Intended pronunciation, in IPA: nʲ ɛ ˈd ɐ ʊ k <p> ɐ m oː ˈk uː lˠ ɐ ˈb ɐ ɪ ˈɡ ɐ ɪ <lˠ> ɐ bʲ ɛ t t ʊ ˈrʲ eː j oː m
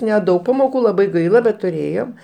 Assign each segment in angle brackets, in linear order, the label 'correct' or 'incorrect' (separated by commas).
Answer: correct, correct